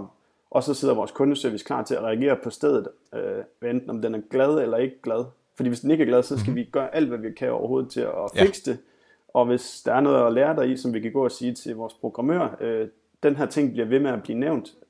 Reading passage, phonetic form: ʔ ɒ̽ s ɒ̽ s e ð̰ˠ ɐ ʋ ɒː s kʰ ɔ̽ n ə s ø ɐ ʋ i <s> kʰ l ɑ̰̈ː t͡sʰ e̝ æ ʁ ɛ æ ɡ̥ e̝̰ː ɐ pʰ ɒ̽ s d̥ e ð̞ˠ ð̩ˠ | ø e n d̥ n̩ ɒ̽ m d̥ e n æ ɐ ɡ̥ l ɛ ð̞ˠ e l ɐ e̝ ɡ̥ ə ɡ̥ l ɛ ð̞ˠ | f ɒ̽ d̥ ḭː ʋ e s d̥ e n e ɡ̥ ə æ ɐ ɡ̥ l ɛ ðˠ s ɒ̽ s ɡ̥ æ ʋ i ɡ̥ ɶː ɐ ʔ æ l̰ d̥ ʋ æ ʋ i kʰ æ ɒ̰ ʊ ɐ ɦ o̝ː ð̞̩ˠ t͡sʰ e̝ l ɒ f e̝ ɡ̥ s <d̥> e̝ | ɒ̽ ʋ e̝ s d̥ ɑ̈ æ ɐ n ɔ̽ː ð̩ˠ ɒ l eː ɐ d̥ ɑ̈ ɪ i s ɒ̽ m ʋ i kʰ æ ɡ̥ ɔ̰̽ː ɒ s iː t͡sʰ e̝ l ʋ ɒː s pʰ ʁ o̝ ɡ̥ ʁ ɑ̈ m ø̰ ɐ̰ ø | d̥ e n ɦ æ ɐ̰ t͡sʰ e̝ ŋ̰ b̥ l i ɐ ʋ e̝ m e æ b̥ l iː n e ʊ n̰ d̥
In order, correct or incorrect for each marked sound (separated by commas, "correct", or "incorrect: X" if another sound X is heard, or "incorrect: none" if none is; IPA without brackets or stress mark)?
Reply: correct, correct